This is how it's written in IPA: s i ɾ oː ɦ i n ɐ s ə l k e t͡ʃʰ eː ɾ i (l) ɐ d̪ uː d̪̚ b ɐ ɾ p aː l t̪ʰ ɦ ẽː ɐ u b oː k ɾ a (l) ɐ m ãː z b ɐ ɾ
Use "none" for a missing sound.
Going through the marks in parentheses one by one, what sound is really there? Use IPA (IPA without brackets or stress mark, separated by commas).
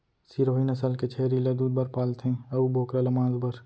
l, l